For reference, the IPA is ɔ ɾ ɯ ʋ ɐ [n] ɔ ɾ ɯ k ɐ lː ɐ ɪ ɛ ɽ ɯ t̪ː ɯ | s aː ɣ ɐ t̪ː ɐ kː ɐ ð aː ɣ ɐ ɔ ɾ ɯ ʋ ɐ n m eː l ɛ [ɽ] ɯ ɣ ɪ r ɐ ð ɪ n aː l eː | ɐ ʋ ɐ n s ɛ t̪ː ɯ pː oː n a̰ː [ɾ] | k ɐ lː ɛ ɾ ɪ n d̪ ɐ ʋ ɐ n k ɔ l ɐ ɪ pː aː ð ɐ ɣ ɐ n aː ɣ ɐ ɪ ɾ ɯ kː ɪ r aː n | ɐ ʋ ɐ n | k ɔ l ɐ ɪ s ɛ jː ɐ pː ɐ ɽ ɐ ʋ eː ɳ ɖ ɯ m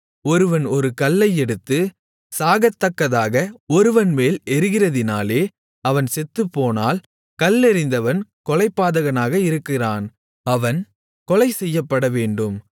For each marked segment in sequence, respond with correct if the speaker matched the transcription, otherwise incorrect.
correct, incorrect, incorrect

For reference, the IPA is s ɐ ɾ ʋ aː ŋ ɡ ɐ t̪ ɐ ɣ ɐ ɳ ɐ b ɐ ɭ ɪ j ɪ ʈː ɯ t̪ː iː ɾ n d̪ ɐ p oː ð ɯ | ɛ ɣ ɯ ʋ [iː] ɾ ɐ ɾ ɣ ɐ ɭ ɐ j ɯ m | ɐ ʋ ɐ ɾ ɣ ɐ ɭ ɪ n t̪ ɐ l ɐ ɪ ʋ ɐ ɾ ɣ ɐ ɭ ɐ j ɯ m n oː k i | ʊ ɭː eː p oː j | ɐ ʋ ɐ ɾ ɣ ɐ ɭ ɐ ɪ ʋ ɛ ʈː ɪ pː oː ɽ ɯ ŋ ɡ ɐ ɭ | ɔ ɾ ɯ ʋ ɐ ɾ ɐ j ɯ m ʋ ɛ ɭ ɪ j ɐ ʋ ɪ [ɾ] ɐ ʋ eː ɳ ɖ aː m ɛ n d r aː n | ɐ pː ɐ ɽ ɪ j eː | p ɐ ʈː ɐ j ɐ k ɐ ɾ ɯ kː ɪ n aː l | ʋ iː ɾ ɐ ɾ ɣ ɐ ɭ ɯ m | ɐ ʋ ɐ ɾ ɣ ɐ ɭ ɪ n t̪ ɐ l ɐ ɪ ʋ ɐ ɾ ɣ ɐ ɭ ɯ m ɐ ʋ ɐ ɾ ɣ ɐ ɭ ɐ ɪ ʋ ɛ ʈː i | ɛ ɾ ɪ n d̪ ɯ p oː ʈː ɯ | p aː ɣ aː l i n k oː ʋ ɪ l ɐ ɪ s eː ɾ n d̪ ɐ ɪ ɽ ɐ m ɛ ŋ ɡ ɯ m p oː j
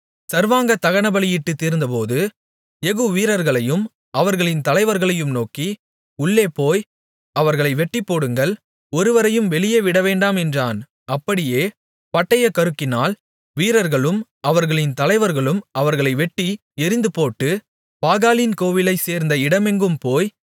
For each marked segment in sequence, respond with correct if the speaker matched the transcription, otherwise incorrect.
correct, incorrect

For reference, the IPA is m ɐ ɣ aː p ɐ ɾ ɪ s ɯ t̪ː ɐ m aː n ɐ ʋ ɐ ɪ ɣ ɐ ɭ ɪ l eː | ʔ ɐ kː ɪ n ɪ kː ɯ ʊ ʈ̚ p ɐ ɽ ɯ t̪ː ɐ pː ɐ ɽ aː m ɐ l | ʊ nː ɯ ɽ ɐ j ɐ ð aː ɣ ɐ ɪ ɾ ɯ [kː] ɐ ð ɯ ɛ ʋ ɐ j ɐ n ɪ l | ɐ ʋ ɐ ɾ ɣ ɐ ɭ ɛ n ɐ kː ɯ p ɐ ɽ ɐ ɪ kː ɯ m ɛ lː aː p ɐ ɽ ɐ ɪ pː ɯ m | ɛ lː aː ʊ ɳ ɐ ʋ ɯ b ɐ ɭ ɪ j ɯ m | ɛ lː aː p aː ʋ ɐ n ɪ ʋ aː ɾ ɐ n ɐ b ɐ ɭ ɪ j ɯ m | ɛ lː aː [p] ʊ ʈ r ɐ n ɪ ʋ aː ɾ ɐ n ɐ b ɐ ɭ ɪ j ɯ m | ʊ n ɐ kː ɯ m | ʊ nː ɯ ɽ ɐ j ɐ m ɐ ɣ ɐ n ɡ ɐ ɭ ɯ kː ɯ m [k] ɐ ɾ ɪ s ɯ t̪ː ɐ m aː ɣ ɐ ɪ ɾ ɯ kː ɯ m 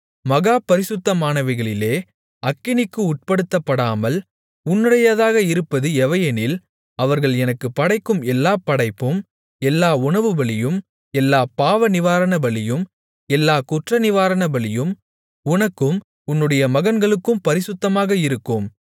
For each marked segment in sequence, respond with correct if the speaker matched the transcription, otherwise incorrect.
incorrect, incorrect, incorrect

